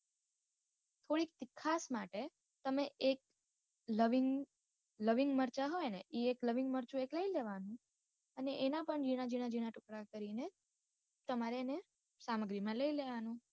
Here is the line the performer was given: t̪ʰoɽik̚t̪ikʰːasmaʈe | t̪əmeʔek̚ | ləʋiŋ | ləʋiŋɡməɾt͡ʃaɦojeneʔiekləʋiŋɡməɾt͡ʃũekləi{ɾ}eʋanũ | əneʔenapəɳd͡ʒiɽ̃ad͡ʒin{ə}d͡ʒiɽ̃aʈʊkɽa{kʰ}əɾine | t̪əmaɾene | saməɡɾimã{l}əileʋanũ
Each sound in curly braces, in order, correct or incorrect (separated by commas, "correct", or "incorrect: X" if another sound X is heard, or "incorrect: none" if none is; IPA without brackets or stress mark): incorrect: l, incorrect: a, incorrect: k, correct